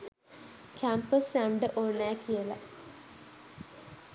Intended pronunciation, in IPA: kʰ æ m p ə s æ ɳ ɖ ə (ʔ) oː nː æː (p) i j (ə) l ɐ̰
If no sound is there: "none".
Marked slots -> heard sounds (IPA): ʔ, k, ə

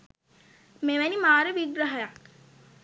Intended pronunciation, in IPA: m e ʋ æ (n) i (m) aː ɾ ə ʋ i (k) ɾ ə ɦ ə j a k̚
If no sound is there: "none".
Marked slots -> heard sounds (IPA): n, m, ɡ

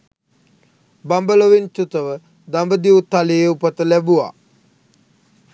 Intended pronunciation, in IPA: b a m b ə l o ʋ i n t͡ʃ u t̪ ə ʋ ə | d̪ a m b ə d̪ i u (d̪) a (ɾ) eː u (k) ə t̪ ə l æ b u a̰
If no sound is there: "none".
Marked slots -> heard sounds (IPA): t̪, l, p

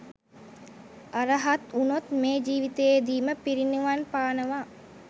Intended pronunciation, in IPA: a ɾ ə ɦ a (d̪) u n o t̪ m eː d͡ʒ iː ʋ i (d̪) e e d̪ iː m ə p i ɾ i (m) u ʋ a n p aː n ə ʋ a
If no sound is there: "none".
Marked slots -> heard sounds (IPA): t̪, t̪, n

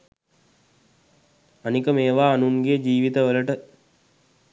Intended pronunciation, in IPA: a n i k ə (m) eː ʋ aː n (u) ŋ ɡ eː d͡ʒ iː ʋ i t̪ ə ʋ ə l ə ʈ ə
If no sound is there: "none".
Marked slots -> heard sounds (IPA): m, u

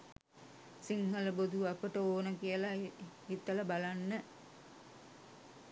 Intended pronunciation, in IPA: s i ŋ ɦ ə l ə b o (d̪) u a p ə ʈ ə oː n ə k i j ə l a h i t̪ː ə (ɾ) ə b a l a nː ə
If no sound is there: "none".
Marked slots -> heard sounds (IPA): d̪, l

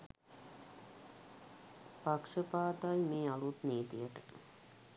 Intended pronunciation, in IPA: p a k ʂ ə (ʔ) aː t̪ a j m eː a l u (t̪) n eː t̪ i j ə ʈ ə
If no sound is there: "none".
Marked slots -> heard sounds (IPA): p, t̪

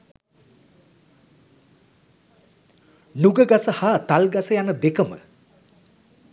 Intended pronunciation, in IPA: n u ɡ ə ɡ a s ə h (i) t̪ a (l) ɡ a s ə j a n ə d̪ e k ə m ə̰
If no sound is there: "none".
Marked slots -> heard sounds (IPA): a, l

